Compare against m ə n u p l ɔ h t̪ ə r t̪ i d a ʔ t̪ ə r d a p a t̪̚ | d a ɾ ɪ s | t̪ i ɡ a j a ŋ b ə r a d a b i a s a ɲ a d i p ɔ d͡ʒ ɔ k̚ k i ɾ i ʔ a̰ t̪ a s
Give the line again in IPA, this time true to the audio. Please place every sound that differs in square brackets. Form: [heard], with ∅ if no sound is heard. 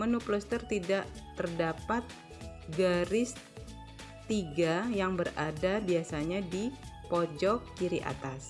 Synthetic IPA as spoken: m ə n u p l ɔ [s] t̪ ə r t̪ i d a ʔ t̪ ə r d a p a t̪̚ | [ɡ] a ɾ ɪ s | t̪ i ɡ a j a ŋ b ə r a d a b i a s a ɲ a d i p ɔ d͡ʒ ɔ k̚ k i ɾ i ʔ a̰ t̪ a s

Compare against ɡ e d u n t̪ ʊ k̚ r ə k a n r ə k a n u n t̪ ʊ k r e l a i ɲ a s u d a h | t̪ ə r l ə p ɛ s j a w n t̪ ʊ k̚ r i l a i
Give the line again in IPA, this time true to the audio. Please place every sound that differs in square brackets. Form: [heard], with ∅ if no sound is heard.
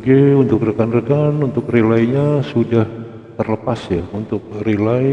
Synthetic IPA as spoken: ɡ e [∅] u n t̪ ʊ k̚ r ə k a n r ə k a n u n t̪ ʊ k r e l a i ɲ a s u d a h | t̪ ə r l ə p [a] s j a [u] n t̪ ʊ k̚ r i l a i

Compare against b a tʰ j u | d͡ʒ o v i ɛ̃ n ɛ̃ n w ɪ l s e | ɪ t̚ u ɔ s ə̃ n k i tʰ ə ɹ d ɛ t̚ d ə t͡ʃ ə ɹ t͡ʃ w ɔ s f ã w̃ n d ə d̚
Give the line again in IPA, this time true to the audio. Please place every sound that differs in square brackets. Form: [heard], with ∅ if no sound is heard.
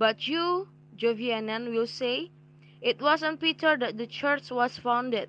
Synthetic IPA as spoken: b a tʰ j u | d͡ʒ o v i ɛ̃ n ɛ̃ n w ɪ l s e | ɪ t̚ [w] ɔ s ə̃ n [p] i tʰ ə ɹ d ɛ t̚ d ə t͡ʃ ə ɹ t͡ʃ w ɔ s f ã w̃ n d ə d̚

